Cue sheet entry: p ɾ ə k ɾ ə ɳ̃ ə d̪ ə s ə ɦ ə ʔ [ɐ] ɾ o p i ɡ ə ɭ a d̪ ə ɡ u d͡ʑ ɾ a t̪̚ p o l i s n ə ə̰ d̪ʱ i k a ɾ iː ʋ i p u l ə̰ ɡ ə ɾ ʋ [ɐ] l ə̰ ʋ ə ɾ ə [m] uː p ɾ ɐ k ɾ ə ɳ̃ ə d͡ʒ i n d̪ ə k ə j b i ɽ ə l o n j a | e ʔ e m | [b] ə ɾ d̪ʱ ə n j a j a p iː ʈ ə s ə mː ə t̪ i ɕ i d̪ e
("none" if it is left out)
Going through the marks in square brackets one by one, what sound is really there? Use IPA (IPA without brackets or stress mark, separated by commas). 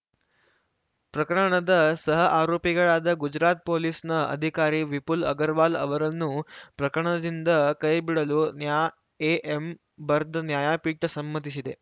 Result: a, a, n, b